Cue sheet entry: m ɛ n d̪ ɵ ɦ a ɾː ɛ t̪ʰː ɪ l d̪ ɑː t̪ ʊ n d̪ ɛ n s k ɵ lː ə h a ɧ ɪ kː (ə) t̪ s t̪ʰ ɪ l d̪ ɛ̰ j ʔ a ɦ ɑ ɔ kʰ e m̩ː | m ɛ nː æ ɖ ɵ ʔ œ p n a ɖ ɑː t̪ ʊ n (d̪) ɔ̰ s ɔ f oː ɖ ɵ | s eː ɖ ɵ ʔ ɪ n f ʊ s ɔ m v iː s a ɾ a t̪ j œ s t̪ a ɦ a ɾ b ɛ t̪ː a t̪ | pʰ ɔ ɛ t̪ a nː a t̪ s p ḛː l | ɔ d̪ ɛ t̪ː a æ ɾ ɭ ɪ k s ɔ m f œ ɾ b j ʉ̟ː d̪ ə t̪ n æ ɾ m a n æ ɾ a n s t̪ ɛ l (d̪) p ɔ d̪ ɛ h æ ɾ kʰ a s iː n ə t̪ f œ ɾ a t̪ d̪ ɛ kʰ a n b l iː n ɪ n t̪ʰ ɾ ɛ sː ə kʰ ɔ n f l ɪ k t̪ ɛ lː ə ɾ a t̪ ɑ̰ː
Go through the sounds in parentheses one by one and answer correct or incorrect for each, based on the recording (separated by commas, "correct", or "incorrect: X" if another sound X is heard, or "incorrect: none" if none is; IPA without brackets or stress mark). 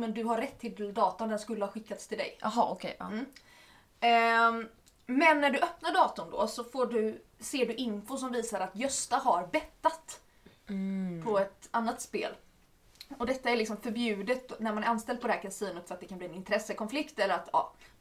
incorrect: a, correct, correct